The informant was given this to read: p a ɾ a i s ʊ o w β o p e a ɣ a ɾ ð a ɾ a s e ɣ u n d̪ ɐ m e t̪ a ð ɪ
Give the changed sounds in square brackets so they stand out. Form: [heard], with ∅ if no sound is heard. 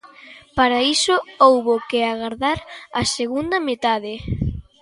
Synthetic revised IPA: p a ɾ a i s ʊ o w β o [k] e a ɣ a ɾ ð a ɾ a s e ɣ u n d̪ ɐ m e t̪ a ð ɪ